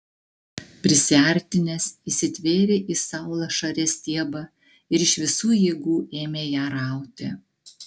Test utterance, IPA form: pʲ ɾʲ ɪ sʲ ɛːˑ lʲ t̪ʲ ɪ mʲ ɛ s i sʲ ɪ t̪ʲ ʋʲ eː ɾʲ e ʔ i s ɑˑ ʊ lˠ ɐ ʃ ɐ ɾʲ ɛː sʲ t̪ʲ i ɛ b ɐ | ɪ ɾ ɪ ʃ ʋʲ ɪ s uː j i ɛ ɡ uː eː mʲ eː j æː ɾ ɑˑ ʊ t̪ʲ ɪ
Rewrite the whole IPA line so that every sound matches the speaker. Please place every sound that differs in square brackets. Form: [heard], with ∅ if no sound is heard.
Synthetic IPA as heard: pʲ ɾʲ ɪ sʲ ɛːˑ [ɾʲ] t̪ʲ ɪ [nʲ] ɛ s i sʲ ɪ t̪ʲ ʋʲ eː ɾʲ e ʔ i s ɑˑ ʊ lˠ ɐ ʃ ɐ ɾʲ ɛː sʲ t̪ʲ i ɛ b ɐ | ɪ ɾ ɪ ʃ ʋʲ ɪ s uː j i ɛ ɡ uː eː mʲ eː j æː ɾ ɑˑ ʊ t̪ʲ ɪ